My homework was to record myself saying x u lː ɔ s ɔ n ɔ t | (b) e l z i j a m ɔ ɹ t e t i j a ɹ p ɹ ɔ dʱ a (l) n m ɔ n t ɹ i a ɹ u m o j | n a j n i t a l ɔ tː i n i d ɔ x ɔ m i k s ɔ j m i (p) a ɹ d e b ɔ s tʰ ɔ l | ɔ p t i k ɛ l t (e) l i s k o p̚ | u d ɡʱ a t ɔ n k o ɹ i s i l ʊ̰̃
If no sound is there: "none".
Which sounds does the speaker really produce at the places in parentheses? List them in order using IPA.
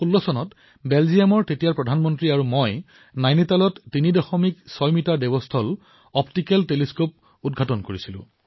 b, none, t, e

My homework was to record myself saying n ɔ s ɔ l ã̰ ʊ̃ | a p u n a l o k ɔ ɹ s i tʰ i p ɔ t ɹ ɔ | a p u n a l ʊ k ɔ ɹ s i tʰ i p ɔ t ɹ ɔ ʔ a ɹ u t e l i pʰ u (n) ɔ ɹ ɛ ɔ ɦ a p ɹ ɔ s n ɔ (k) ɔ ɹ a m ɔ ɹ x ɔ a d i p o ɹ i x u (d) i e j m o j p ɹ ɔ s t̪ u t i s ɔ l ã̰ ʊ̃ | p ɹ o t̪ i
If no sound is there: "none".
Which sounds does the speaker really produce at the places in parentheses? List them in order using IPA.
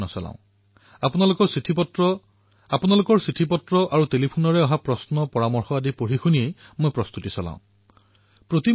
n, p, n

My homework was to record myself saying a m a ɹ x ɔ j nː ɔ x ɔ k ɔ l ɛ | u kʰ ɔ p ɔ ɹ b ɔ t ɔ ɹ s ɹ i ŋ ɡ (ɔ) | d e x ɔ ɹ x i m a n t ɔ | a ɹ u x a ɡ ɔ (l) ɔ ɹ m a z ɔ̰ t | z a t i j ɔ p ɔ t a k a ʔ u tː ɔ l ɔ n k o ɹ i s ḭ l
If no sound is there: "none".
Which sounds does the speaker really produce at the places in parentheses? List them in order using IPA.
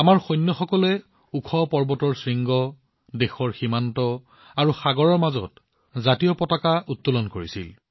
ɔ, ɹ

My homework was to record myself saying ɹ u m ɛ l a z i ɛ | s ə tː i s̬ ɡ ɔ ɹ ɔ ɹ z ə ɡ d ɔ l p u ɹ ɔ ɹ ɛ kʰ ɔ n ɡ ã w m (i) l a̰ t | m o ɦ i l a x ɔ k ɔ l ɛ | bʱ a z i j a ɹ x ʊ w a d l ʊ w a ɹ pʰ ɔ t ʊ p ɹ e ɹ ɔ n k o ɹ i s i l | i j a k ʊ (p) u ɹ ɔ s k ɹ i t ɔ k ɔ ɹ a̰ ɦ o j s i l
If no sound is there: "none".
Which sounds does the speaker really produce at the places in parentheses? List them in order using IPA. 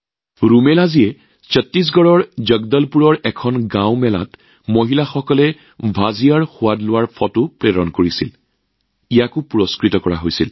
ɛ, p

